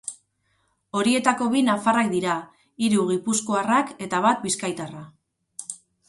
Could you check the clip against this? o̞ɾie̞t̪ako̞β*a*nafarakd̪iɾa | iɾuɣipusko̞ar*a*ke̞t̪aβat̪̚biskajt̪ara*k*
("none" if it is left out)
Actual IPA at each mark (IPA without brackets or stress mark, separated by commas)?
i, a, none